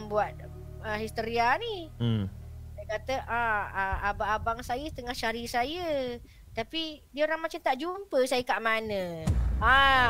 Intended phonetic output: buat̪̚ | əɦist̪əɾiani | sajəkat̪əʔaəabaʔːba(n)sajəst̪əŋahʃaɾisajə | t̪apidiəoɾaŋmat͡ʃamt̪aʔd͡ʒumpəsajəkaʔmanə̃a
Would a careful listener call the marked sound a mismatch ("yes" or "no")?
yes